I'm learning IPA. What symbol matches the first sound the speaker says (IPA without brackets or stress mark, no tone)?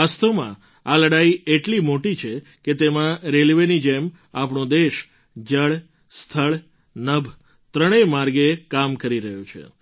a